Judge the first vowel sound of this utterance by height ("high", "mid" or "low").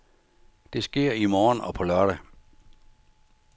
mid